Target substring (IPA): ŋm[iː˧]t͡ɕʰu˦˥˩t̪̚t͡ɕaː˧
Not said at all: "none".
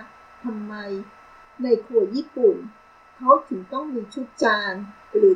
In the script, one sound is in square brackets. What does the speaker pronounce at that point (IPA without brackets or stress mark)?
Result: iː˧